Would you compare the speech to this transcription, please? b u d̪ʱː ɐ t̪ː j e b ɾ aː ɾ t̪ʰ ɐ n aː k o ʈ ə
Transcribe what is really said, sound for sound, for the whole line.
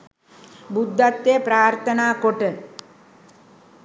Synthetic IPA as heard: b u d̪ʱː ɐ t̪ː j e p ɾ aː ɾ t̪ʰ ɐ n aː k o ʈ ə